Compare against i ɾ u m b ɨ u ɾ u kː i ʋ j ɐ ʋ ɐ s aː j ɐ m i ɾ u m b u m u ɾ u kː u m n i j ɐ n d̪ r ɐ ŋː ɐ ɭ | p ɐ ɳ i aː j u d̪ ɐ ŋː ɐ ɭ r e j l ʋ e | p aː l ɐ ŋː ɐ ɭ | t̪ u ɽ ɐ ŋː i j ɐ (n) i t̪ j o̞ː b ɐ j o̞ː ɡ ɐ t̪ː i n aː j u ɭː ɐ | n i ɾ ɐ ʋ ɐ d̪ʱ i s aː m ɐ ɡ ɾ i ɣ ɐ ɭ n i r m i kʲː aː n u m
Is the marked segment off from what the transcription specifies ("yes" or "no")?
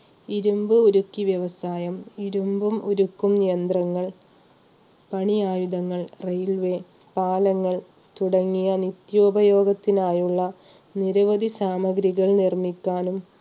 no